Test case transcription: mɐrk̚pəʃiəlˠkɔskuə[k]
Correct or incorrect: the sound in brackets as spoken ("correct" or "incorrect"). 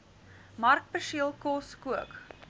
correct